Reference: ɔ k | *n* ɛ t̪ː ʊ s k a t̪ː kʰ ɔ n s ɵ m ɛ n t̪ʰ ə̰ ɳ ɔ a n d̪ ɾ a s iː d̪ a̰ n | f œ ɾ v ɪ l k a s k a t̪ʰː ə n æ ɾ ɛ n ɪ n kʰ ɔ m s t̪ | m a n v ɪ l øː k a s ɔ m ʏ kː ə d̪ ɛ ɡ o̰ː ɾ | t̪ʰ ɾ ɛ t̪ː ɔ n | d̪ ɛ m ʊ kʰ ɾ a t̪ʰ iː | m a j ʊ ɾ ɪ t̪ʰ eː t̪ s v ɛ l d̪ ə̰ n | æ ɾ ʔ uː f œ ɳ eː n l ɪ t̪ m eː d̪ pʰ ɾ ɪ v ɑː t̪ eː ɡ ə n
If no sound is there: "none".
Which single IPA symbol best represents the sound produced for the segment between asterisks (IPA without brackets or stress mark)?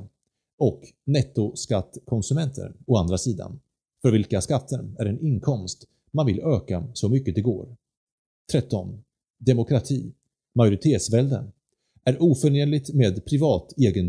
n